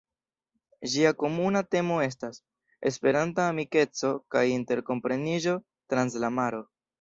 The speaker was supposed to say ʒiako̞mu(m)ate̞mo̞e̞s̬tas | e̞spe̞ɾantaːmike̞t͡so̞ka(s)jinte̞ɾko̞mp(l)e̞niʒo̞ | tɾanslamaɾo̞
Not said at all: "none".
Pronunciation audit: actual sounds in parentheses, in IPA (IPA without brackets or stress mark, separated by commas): n, none, ɾ